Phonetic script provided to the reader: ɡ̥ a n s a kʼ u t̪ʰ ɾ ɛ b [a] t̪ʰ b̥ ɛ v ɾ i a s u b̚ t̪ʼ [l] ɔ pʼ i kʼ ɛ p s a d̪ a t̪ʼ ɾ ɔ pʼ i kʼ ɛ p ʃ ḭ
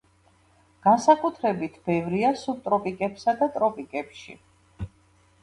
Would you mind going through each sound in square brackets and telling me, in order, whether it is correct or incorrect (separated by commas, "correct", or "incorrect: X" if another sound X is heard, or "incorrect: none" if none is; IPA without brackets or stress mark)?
incorrect: i, incorrect: ɾ